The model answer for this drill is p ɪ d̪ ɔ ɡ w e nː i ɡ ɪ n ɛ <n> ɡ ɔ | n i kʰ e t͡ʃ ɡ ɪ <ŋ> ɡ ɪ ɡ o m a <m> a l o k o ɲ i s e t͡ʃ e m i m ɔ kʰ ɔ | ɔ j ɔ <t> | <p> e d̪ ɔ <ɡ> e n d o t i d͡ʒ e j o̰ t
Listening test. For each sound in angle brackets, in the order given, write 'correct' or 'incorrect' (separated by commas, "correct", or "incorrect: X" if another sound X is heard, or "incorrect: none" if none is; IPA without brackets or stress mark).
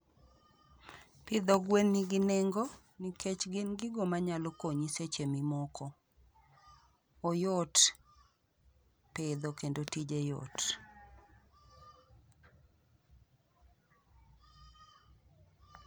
incorrect: ŋ, incorrect: n, incorrect: ɲ, correct, correct, incorrect: k